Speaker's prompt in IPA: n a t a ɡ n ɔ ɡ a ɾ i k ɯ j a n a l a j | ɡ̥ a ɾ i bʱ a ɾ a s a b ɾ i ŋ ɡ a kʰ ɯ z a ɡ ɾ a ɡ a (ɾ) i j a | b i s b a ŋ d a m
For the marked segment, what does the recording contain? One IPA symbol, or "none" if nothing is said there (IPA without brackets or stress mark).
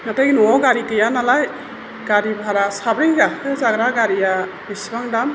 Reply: ɾ